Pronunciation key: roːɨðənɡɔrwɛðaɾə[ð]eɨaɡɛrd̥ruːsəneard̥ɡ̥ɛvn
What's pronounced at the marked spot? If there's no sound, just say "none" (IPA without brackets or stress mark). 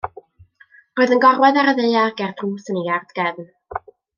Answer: ð